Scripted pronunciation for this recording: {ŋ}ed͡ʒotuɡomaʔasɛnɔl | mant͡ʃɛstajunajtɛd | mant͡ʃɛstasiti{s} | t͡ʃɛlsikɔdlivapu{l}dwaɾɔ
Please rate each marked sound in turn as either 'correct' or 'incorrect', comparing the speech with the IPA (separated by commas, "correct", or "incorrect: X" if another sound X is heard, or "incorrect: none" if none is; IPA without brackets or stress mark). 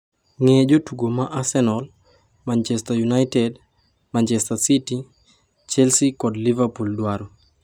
correct, incorrect: none, correct